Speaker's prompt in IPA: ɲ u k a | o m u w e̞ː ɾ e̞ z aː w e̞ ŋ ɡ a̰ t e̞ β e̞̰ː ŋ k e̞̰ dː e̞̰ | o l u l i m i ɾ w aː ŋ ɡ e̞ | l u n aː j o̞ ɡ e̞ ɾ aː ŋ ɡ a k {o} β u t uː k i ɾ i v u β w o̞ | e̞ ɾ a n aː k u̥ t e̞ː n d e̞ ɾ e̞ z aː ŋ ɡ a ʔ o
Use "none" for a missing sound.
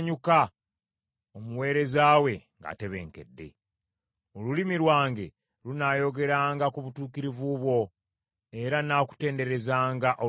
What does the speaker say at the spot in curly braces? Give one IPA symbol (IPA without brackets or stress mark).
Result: u